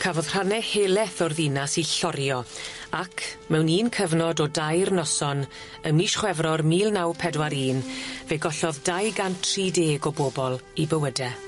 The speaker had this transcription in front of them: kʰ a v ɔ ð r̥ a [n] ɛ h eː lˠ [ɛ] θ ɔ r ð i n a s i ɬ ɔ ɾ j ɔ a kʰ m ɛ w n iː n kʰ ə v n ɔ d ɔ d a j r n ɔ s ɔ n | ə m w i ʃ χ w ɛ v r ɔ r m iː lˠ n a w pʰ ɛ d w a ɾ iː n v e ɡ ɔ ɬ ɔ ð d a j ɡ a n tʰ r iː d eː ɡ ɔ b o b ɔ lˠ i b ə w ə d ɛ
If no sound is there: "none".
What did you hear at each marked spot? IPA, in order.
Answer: n, ɛ

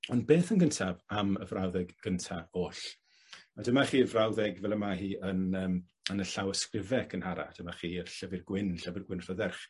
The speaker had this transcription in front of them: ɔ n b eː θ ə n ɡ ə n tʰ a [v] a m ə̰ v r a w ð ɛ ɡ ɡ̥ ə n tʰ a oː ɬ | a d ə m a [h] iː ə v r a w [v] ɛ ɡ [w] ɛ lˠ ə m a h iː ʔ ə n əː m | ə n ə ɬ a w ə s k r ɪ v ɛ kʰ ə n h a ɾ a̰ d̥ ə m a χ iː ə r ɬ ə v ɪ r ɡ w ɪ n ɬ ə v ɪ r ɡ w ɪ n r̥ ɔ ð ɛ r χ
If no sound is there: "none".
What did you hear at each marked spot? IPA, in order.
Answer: v, χ, ð, v

